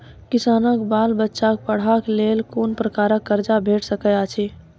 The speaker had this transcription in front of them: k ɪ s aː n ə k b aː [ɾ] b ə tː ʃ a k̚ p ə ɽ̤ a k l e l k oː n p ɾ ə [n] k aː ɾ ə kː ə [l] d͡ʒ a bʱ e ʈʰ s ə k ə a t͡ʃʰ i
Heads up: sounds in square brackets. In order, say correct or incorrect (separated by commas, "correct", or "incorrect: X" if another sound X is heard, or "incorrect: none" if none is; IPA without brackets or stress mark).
incorrect: l, incorrect: none, incorrect: ɾ